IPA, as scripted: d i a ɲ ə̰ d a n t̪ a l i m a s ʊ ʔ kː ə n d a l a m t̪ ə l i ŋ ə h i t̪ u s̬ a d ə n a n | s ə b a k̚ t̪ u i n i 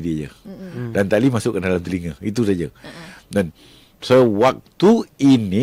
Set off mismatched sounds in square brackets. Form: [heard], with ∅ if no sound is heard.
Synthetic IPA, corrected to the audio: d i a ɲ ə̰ d a n t̪ a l i m a s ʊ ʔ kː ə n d a l a m t̪ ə l i ŋ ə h i t̪ u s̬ a [d͡ʒ] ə [d] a n | s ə [w] a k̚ t̪ u i n i